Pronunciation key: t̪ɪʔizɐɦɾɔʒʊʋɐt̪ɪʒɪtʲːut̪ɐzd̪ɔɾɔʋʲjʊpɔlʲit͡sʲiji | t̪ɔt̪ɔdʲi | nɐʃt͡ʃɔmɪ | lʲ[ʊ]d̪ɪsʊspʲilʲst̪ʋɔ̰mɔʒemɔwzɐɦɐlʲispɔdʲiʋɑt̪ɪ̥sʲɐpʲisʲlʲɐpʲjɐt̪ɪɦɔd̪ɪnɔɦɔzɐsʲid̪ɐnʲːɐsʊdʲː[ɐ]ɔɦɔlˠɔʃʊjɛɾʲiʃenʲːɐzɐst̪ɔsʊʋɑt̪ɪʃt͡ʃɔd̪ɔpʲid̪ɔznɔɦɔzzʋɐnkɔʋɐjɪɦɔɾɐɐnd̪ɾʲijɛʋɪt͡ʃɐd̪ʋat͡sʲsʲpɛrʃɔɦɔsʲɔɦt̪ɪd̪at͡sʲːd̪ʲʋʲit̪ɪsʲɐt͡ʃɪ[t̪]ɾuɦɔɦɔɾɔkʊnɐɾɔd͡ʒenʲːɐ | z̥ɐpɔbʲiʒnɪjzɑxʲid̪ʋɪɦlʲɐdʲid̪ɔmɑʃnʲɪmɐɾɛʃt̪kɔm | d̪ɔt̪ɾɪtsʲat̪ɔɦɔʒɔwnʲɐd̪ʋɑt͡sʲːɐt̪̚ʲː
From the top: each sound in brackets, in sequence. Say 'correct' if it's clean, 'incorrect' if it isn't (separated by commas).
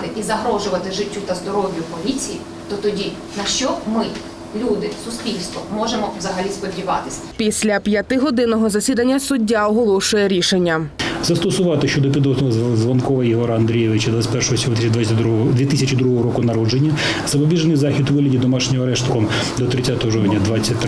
incorrect, incorrect, incorrect